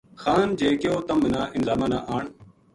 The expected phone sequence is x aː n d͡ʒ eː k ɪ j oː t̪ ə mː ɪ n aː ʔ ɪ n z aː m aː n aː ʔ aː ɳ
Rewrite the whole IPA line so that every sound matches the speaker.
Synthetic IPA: x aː n d͡ʒ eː k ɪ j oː t̪ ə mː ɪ n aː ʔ ɪ n z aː m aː n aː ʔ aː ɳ